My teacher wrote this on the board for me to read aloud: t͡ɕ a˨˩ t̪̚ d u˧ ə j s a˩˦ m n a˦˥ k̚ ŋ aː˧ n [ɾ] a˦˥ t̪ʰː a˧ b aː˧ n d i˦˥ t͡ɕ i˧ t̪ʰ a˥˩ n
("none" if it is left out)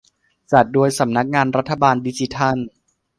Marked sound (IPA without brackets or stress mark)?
ɾ